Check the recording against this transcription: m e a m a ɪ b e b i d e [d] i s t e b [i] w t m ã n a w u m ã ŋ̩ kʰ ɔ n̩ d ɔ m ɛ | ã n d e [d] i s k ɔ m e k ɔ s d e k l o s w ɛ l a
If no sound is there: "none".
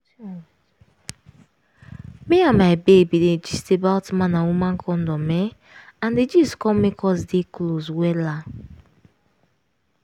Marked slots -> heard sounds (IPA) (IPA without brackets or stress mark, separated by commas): d͡ʒ, a, d͡ʒ